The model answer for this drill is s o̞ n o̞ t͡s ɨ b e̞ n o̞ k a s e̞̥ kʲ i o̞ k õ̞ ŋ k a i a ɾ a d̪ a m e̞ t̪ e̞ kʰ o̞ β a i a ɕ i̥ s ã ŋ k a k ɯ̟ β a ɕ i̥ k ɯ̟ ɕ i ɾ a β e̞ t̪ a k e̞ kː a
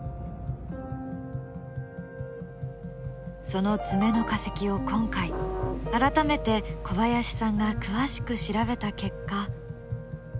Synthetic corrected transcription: s o̞ n o̞ t͡s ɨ m e̞ n o̞ k a s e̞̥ kʲ i o̞ k õ̞ ŋ k a i a ɾ a t̪ a m e̞ t̪ e̞ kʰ o̞ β a j a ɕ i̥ s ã ŋ ɡ a k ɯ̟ β a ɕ i̥ k ɯ̟ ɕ i ɾ a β e̞ t̪ a k e̞ kː a